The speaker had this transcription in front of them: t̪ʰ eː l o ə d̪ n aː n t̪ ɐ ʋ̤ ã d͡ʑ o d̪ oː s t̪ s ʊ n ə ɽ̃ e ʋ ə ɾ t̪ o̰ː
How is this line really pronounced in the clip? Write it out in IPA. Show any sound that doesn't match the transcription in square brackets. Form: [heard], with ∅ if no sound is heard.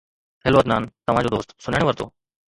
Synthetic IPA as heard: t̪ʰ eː l o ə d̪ n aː n t̪ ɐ ʋ̤ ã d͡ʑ o d̪ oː s t̪ s ʊ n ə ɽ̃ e ʋ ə ɾ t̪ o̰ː